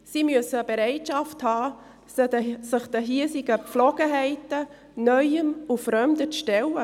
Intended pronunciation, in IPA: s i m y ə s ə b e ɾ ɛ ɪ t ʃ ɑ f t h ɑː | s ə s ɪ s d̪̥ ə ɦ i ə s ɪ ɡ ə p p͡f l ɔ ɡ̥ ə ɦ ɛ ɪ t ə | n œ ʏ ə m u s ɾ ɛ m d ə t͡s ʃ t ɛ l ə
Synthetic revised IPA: s i m y ə s ə b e ɾ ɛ ɪ t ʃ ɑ f t h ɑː | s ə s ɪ χ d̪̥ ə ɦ i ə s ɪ ɡ ə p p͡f l ɔ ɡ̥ ə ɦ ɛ ɪ t ə | n œ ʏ ə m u f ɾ œ m d ə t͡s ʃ t ɛ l ə